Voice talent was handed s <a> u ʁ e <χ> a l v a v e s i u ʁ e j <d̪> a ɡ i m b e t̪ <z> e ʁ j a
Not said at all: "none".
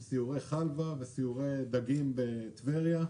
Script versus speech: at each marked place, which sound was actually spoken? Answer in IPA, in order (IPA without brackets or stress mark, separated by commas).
i, χ, d̪, v